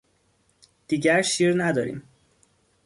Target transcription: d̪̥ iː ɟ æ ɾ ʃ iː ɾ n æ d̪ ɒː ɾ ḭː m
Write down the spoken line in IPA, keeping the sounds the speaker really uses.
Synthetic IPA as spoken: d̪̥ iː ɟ æ ɾ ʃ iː ɾ n æ d̪ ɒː ɾ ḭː m